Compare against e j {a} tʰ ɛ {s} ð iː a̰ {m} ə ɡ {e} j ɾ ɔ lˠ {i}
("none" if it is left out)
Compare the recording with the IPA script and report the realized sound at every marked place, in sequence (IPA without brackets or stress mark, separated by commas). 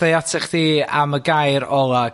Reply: a, χ, m, a, a